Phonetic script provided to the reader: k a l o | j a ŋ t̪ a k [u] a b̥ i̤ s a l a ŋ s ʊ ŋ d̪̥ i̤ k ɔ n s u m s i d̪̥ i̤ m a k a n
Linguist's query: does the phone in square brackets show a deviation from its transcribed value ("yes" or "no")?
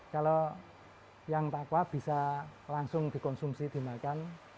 yes